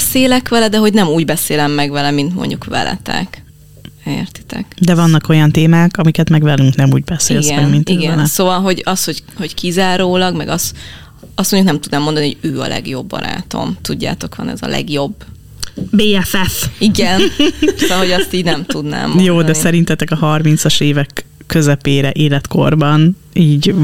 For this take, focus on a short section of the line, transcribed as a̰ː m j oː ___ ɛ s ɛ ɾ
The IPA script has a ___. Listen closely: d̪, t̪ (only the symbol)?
d̪